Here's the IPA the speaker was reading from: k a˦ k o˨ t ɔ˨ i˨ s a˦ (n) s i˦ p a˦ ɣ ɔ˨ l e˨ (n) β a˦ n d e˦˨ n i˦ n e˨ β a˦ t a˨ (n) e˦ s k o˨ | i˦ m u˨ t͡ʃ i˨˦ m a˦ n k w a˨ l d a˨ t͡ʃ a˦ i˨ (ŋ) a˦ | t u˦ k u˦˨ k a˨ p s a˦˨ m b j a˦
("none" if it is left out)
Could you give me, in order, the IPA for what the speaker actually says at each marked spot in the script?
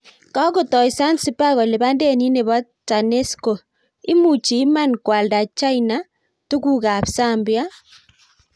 n, none, n, n

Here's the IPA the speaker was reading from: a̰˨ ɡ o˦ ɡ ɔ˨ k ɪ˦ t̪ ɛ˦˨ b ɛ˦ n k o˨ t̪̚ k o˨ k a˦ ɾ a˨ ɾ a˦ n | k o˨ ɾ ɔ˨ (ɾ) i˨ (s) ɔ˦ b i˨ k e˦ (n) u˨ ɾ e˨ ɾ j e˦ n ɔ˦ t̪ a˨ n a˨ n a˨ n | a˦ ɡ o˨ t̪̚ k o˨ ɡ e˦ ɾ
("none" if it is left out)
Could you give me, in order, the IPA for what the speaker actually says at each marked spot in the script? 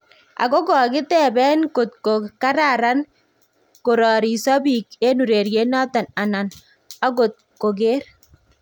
ɾ, s, n

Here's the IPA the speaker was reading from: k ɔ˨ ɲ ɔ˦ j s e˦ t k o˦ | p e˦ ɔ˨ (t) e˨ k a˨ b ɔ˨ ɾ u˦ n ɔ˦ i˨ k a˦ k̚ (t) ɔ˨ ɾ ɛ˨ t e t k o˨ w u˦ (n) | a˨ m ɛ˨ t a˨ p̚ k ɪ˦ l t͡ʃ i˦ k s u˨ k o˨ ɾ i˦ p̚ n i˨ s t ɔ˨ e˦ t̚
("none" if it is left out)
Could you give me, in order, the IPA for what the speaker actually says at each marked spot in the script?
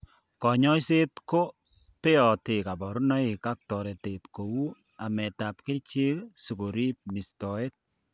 t, t, none

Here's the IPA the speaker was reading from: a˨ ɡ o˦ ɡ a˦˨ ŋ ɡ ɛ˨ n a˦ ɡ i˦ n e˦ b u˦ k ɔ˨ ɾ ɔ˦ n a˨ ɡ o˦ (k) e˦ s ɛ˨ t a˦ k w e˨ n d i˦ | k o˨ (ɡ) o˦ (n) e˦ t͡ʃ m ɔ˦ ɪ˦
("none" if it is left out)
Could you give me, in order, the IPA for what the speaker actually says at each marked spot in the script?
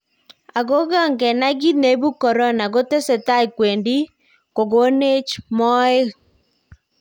t, ɡ, n

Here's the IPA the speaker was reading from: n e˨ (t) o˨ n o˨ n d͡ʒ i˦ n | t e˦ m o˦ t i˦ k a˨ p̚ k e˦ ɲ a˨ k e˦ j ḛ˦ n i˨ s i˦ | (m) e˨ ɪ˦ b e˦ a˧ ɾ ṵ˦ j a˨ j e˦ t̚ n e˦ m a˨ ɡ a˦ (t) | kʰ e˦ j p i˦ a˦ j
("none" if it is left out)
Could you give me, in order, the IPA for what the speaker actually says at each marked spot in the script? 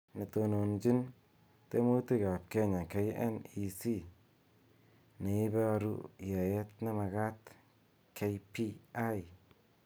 t, n, t

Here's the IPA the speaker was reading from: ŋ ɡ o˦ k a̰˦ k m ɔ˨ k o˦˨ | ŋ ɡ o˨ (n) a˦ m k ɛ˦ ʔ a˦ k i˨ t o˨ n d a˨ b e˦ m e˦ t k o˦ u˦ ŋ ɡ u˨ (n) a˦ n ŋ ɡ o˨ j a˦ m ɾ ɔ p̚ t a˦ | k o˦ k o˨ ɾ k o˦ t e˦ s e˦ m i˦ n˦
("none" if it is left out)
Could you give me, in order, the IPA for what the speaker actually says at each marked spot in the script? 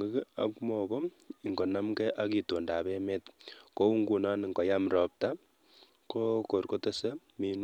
n, n

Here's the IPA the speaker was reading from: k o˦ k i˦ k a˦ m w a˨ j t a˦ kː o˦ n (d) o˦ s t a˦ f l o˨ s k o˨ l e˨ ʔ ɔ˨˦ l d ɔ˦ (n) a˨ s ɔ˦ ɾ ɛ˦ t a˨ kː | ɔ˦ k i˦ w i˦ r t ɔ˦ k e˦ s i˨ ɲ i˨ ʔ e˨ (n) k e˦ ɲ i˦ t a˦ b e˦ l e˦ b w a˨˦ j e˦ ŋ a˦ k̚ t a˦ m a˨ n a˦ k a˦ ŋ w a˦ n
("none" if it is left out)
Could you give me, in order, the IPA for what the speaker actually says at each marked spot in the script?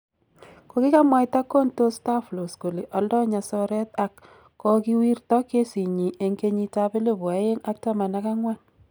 t, ɲ, ŋ

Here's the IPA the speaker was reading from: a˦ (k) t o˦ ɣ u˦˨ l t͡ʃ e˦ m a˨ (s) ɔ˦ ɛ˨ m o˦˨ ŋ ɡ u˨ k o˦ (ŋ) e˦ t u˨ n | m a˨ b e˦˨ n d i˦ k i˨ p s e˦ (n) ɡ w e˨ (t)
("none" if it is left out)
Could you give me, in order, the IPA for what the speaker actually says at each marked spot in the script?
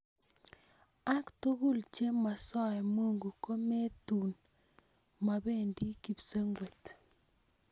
k, s, m, ŋ, t

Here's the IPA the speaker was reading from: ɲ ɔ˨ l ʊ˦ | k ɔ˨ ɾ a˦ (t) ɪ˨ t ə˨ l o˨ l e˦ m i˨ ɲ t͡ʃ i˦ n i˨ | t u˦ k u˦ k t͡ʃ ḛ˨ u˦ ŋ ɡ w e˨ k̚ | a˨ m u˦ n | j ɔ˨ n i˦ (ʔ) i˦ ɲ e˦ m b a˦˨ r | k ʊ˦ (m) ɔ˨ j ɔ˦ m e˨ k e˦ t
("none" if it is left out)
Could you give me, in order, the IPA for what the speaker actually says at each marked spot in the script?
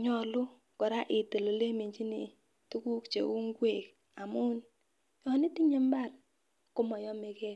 ʔ, t, m

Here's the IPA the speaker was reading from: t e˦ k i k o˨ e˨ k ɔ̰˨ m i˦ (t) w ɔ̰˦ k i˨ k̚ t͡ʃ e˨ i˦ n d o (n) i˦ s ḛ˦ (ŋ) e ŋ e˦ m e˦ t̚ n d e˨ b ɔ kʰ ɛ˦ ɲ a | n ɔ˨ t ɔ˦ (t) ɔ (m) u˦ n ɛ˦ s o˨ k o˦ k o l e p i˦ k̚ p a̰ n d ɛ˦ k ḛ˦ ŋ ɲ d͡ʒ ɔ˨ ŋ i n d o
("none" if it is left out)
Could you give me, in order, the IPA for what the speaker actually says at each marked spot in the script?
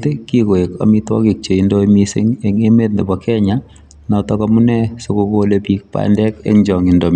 t, m, ŋ, k, m

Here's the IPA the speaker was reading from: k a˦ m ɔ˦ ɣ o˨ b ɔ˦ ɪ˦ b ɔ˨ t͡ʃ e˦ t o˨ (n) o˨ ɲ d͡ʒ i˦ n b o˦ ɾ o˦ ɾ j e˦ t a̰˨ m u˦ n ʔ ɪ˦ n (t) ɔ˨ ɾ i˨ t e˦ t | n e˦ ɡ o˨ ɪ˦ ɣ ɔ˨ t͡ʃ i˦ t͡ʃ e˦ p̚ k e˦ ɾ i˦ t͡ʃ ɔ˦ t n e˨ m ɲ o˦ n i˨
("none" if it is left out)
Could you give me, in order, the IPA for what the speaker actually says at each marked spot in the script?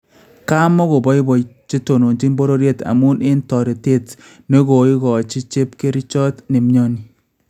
n, t

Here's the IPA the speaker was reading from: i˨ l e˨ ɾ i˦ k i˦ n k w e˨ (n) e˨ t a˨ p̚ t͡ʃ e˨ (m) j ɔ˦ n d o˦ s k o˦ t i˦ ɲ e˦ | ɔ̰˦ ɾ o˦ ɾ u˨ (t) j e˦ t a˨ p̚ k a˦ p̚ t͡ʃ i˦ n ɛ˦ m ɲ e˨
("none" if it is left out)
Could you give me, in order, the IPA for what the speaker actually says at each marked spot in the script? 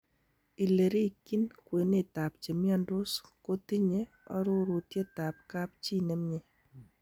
n, m, t

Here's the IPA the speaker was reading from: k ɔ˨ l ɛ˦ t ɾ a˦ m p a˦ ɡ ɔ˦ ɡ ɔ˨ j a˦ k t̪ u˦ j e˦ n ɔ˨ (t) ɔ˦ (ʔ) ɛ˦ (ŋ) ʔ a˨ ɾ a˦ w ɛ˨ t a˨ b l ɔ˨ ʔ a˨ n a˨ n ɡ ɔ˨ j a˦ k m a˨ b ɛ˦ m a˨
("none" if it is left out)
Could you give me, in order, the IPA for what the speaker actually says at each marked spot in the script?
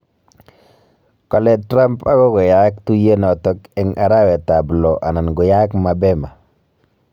t, k, ŋ

